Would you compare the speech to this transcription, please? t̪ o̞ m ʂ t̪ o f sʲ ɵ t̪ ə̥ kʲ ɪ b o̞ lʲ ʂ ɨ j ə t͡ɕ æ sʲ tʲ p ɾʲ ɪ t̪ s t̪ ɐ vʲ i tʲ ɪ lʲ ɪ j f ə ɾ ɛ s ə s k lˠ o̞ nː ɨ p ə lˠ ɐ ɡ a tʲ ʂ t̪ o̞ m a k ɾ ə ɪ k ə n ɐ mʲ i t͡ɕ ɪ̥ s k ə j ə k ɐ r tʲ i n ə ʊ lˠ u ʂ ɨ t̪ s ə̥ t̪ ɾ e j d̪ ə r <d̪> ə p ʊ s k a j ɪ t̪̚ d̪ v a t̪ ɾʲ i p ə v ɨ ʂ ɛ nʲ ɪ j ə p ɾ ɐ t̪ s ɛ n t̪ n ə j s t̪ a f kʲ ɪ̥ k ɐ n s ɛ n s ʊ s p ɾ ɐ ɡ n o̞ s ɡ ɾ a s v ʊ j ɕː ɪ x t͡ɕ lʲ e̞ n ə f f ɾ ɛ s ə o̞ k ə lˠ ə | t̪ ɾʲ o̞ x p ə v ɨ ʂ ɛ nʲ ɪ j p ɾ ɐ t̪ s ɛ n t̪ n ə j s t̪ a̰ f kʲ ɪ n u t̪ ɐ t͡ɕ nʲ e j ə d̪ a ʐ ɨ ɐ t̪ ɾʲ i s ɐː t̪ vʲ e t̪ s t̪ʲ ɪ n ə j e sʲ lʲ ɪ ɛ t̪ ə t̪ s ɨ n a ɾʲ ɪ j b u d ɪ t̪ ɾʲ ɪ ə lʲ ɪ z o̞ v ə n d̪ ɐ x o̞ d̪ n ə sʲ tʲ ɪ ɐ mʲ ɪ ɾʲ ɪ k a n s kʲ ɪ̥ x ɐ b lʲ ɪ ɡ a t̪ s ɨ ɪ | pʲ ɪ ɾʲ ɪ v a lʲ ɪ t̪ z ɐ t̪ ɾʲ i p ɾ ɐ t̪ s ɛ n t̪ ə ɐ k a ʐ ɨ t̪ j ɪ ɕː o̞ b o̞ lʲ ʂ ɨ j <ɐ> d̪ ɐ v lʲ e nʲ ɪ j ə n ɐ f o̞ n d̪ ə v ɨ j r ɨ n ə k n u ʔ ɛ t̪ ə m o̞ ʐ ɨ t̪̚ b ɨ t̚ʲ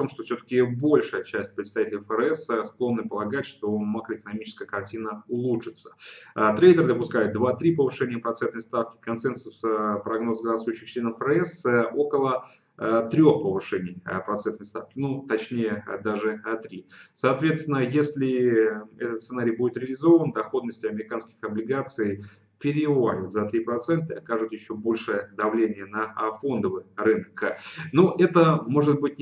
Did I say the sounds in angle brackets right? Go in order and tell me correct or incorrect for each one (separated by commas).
correct, incorrect